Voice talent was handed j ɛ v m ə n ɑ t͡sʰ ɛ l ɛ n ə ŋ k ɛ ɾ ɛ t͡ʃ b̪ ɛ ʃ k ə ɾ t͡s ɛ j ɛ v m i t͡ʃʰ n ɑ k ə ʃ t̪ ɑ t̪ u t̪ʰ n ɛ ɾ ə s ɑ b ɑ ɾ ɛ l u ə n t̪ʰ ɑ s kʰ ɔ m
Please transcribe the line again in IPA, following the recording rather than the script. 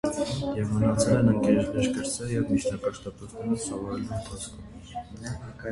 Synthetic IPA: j ɛ v m ə n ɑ t͡sʰ ɛ l ɛ n ə ŋ k ɛ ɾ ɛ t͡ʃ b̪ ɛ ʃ k ə ɾ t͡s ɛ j ɛ v m i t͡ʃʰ n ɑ k ɑ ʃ t̪ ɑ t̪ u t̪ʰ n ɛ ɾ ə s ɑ v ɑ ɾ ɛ l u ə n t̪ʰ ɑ s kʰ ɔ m